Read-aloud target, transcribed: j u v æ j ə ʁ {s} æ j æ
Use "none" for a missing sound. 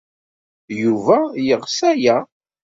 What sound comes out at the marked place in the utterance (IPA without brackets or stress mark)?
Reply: s